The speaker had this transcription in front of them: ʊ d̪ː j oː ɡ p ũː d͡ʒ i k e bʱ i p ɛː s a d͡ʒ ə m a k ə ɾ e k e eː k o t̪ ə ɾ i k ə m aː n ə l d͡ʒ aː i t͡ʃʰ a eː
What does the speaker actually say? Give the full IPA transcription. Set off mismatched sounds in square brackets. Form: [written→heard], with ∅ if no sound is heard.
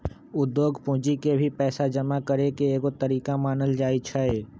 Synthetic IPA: ʊ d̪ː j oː ɡ p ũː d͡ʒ i k e bʱ i p ɛː s a d͡ʒ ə m a k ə ɾ e k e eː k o t̪ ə ɾ [i→iː] k [ə→a] m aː n ə l d͡ʒ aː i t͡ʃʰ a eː